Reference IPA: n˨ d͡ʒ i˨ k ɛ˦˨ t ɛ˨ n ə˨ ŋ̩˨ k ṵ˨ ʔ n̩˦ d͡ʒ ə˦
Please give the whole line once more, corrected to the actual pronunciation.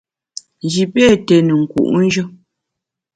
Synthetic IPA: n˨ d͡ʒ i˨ p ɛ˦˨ t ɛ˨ n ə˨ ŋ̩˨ k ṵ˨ ʔ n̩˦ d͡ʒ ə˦